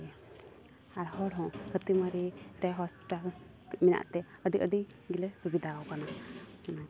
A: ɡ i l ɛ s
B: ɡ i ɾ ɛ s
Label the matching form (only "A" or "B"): A